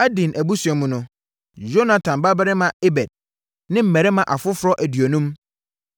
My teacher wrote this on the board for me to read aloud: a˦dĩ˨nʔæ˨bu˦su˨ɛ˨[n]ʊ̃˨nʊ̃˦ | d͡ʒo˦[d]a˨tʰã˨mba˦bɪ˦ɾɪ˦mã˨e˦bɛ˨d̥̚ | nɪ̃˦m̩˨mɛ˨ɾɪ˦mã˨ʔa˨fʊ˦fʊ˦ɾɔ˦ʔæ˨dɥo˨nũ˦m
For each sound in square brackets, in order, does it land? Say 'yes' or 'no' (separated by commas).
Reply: no, no